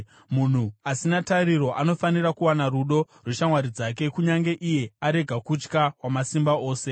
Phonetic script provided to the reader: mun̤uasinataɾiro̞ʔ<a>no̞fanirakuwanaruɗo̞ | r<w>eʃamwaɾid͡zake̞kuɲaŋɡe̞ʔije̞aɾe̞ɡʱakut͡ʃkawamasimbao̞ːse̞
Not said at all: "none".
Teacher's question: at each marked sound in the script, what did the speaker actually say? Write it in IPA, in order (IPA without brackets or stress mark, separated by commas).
a, w